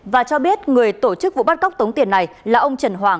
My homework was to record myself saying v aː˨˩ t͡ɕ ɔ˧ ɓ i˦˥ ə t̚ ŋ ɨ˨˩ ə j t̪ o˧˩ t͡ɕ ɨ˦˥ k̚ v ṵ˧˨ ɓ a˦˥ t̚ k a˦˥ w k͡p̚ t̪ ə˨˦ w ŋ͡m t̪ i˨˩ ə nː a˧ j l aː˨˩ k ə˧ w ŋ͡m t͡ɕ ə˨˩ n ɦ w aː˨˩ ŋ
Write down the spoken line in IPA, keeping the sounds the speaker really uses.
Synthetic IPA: v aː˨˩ t͡ɕ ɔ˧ ɓ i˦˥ ə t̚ ŋ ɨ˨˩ ə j t̪ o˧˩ t͡ɕ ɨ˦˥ k̚ v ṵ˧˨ ɓ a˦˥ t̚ k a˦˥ w k͡p̚ t̪ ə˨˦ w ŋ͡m t̪ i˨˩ ə nː a˨˩ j l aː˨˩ ʔ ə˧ w ŋ͡m t͡ɕ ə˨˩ n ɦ w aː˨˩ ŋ